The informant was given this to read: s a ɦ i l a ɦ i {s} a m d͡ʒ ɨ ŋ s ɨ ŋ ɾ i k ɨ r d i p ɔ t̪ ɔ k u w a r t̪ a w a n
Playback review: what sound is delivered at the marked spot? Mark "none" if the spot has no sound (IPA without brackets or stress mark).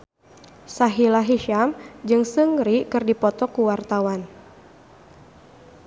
ʃ